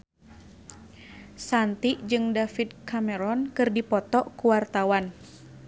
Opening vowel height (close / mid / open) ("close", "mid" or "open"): open